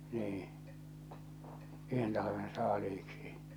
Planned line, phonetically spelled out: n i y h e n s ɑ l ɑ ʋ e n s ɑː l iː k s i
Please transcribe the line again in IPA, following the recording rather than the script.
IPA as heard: n iː y h e n t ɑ l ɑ ʋ e n s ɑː l iː k s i